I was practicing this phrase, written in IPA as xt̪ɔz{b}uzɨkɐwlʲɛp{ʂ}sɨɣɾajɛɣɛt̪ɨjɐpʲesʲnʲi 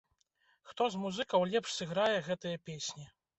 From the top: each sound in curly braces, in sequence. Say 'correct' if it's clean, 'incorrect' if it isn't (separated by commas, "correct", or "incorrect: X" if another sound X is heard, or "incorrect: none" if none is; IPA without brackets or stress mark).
incorrect: m, correct